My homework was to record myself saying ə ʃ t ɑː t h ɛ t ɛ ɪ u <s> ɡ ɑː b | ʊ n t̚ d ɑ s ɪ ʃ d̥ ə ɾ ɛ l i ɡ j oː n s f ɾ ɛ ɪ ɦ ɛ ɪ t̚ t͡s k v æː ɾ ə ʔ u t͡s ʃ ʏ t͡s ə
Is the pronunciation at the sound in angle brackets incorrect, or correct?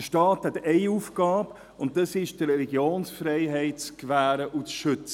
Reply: incorrect